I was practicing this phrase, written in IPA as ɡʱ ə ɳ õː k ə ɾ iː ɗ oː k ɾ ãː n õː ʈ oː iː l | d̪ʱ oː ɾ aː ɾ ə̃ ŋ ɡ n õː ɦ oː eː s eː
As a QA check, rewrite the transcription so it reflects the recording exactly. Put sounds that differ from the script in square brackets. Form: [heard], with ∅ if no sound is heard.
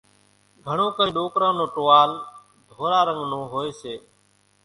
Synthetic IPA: ɡʱ ə ɳ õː k ə ɾ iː ɗ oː k ɾ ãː n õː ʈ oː [aː] l | d̪ʱ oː ɾ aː ɾ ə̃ ŋ ɡ n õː ɦ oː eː s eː